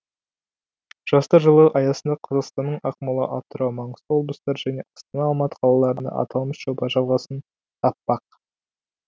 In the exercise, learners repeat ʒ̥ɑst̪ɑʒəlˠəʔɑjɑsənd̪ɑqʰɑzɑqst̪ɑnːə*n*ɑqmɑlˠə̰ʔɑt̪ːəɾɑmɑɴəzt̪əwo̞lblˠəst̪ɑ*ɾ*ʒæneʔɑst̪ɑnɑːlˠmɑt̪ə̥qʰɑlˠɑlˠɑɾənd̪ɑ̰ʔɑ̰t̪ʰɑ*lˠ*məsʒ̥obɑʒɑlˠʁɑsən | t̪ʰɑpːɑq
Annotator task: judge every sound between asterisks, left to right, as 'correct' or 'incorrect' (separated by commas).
incorrect, correct, correct